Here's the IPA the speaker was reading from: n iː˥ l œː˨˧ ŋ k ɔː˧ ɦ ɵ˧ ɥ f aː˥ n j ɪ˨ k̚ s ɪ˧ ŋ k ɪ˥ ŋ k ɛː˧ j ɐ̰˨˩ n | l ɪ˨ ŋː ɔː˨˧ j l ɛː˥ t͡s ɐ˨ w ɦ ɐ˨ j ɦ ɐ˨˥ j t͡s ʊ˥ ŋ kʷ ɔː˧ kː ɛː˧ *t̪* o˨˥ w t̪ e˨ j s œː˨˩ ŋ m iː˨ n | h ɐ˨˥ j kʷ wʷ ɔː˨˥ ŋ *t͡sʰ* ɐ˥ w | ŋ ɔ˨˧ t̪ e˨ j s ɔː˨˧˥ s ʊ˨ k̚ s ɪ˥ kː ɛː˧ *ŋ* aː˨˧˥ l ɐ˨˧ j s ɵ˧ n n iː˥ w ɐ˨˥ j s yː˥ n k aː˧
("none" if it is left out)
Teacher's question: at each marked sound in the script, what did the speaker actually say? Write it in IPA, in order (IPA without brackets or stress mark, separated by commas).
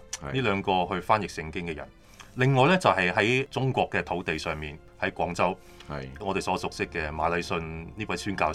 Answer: t̪ʰ, t͡s, m